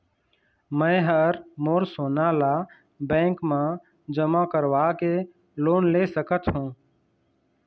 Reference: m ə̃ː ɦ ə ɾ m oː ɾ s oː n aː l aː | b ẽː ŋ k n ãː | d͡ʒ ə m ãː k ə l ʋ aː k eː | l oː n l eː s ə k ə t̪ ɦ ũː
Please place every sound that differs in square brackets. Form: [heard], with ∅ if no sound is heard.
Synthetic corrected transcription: m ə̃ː ɦ ə ɾ m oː ɾ s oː n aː l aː | b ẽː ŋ k [m] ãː | d͡ʒ ə m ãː k ə [ɾ] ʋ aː k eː | l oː n l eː s ə k ə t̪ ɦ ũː